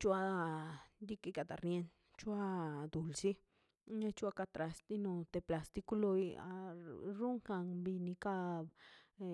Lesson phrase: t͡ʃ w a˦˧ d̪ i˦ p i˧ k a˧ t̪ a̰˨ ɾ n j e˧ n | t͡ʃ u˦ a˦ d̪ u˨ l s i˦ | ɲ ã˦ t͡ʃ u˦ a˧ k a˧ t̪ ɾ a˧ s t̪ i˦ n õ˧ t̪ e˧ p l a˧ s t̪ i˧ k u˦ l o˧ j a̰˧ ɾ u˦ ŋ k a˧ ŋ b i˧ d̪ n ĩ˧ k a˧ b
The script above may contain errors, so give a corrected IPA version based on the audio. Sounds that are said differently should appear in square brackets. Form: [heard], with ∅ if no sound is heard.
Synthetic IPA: t͡ʃ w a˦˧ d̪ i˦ [k] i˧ k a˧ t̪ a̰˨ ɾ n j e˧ n | t͡ʃ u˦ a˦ d̪ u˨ l s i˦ | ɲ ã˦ t͡ʃ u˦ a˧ k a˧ t̪ ɾ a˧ s t̪ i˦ n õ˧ t̪ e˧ p l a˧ s t̪ i˧ k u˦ l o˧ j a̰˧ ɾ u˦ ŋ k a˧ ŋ b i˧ [∅] n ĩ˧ k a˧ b